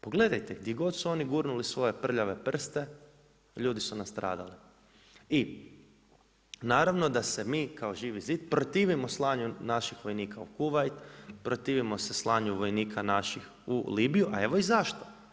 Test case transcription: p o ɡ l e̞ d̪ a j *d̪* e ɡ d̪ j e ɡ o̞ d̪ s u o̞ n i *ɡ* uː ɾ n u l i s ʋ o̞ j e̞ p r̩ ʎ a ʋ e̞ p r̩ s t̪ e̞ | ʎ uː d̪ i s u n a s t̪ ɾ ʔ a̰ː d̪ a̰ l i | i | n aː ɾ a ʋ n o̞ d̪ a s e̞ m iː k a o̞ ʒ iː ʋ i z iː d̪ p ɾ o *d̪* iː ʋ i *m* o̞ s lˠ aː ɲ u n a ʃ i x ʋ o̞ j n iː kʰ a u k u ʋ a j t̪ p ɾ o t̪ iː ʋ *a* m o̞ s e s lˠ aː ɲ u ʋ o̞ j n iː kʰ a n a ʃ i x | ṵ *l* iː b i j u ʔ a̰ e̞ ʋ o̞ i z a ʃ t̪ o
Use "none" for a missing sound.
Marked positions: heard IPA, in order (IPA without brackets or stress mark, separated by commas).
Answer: t̪, ɡ, t̪, m, i, l